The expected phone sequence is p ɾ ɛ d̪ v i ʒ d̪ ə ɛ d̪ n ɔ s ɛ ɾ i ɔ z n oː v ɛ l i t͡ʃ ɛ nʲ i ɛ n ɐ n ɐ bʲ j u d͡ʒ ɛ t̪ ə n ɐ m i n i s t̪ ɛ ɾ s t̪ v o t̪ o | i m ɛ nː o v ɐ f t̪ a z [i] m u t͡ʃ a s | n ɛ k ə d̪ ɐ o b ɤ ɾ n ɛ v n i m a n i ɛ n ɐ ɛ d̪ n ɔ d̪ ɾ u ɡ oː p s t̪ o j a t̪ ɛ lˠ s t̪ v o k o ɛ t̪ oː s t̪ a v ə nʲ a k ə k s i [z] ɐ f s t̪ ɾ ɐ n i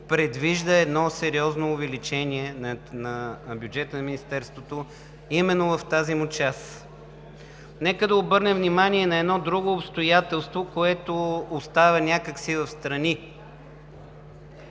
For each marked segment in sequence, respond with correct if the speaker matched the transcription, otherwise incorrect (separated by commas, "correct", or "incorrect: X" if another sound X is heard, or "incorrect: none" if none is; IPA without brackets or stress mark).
correct, incorrect: v